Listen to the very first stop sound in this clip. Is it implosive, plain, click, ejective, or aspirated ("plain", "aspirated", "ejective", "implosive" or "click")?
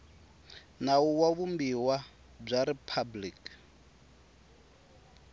plain